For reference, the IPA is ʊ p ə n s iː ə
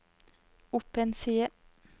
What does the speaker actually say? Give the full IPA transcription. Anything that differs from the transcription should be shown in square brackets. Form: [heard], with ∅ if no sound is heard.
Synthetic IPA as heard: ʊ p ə n s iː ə